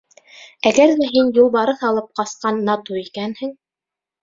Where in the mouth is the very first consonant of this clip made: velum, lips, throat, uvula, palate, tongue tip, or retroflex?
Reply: velum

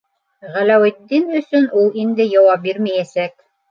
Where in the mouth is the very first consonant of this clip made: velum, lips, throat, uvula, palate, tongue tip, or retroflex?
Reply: uvula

